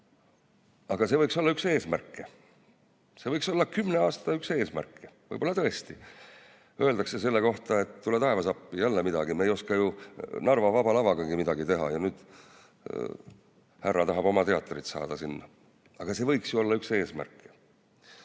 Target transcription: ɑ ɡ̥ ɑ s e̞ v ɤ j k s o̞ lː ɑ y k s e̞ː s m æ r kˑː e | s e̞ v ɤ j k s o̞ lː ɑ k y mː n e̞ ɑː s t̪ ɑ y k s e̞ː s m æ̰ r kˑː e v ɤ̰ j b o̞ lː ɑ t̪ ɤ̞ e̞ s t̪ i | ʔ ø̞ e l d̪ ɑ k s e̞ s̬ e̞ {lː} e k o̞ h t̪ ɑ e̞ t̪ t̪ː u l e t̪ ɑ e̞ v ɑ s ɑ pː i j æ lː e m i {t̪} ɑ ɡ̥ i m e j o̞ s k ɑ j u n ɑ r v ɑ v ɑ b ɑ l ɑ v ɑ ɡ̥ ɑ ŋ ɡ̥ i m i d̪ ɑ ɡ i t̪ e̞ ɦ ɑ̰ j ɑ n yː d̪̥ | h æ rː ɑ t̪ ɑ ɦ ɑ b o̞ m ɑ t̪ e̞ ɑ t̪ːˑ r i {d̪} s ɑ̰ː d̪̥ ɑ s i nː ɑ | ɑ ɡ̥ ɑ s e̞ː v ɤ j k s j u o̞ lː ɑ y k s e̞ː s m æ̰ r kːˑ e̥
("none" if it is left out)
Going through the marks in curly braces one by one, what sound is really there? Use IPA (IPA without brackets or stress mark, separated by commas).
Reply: lː, d̪, t̪